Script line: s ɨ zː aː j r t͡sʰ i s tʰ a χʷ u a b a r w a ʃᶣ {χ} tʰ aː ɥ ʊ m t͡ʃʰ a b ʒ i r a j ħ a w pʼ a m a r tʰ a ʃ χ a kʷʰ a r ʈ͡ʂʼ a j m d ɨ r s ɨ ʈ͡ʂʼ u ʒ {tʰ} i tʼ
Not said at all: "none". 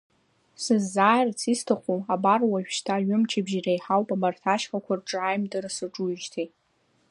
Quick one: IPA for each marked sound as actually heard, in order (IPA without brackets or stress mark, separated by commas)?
ʃ, tʰ